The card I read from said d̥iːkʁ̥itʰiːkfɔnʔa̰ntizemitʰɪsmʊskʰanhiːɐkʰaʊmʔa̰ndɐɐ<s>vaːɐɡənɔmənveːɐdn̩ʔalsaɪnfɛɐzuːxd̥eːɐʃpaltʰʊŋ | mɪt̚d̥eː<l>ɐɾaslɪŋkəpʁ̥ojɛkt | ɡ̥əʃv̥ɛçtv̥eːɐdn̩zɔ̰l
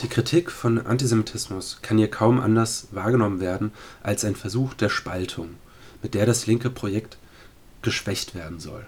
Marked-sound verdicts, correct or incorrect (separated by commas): correct, incorrect